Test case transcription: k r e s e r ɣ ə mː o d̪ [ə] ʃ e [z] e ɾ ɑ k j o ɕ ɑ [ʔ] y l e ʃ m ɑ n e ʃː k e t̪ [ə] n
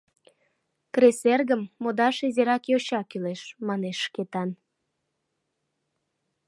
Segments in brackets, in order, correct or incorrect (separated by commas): incorrect, correct, incorrect, incorrect